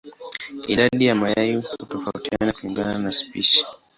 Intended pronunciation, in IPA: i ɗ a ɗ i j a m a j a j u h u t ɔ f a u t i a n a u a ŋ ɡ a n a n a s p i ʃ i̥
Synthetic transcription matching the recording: i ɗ a ɗ i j a m a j a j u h u t ɔ f a u t i a n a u i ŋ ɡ a n a n a s p i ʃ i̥